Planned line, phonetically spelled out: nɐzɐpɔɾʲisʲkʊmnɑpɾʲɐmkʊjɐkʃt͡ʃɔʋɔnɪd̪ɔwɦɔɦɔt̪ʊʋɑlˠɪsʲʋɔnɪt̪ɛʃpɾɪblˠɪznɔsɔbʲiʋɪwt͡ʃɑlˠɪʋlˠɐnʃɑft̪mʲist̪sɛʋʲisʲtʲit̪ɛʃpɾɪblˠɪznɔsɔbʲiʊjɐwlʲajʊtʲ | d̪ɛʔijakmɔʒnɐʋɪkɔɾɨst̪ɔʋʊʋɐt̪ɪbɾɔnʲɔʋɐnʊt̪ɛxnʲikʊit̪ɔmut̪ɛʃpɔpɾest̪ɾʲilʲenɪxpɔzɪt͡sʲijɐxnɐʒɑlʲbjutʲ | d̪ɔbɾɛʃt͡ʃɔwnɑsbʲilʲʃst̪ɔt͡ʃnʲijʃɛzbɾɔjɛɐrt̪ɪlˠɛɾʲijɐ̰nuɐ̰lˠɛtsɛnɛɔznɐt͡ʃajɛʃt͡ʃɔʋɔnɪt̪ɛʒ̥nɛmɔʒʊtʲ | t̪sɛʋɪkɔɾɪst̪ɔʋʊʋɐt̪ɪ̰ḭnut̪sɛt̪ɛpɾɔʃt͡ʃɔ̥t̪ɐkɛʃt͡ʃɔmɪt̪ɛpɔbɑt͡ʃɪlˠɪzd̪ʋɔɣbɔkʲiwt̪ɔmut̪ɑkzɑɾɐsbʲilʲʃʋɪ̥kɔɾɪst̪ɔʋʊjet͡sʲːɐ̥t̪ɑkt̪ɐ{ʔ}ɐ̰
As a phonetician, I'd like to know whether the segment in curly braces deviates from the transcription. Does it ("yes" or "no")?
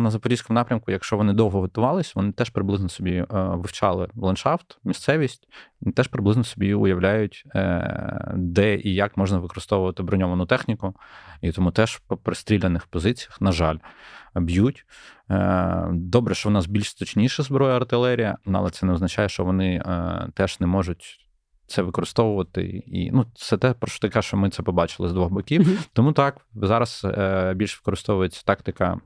yes